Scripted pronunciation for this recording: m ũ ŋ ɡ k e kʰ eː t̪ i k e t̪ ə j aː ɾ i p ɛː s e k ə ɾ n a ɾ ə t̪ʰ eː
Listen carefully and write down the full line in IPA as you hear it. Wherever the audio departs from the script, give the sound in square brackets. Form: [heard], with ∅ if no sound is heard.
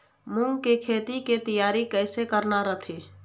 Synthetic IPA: m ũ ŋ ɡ k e kʰ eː t̪ i k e t̪ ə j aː ɾ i [k] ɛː s e k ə ɾ n a ɾ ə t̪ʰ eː